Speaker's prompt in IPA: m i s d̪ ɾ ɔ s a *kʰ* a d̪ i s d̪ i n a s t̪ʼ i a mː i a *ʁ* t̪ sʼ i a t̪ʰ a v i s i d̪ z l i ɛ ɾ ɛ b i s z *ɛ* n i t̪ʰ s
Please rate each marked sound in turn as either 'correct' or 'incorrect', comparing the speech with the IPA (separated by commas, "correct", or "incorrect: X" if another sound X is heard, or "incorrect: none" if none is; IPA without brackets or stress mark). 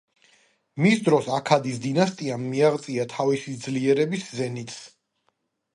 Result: correct, correct, correct